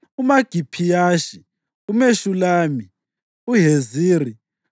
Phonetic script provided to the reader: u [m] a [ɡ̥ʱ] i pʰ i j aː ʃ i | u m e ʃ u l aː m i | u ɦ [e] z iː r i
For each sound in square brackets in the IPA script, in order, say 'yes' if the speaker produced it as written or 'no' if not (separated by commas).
yes, yes, yes